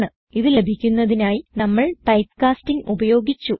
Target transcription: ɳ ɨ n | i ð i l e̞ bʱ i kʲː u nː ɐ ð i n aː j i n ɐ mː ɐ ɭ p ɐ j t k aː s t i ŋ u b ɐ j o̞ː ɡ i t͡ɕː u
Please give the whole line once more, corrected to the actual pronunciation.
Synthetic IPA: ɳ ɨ | i ð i l e̞ bʱ i kʲː u nː ɐ ð i n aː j i n ɐ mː ɐ ɭ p ɐ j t k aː s t i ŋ u b ɐ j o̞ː ɡ i t͡ɕː u